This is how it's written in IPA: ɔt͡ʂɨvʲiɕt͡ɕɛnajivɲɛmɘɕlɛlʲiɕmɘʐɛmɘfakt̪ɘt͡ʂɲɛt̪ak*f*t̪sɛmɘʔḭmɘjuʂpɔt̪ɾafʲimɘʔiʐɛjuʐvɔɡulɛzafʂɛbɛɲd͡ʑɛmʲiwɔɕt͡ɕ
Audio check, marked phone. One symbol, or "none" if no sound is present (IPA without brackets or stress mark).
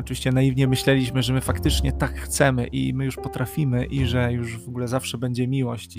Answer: x